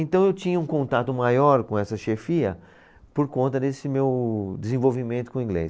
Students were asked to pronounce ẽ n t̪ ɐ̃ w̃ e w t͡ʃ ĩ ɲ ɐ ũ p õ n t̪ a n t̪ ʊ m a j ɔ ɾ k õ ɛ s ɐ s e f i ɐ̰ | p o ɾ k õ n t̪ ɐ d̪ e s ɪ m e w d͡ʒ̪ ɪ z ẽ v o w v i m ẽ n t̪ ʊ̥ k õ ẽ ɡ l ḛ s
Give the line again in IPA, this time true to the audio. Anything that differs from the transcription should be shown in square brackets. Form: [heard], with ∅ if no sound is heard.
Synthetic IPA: ẽ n t̪ ɐ̃ w̃ e w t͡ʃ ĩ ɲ ɐ ũ [k] õ n t̪ a [∅] t̪ ʊ m a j ɔ ɾ k õ ɛ s ɐ [ʃ] e f i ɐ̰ | p o ɾ k õ n t̪ ɐ d̪ e s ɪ m e w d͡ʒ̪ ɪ z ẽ v o w v i m ẽ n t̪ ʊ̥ k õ [ĩ] ɡ l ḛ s